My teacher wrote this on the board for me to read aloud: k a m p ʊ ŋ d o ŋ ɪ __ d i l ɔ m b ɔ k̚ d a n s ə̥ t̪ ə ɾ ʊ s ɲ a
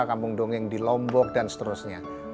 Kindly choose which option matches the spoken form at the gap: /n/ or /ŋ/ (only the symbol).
ŋ